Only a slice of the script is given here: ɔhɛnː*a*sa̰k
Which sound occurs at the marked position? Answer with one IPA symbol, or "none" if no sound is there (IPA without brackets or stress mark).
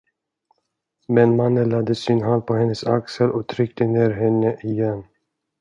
ə